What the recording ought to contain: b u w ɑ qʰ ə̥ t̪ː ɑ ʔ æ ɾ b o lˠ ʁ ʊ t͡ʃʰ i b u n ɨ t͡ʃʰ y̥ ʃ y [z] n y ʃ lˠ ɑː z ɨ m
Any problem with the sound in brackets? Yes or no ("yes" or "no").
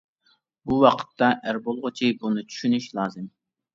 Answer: yes